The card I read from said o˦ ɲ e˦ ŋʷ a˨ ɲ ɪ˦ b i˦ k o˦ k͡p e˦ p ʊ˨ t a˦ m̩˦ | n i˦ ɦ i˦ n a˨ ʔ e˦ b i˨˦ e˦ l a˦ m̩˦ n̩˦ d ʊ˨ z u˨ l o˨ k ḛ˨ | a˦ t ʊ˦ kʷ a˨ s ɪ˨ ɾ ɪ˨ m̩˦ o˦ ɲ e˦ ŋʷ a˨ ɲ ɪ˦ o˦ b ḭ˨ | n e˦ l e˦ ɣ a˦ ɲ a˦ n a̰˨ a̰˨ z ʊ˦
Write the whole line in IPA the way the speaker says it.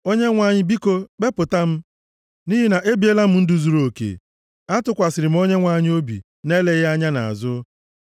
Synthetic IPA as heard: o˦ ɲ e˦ ŋʷ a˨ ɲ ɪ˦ b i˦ k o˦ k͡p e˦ p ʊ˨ t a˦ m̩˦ | n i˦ ɦ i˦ n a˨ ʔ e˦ b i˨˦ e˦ l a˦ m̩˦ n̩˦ d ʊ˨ z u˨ ɾ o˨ k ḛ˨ | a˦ t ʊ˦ kʷ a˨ s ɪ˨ ɾ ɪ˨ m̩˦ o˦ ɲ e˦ ŋʷ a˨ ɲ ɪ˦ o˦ b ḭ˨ | n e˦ l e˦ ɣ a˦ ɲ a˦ n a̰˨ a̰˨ z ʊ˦